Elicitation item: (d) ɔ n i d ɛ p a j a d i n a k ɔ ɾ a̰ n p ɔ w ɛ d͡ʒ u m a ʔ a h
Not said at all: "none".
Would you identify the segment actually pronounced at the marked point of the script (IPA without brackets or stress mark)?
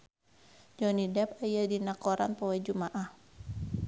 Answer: d͡ʒ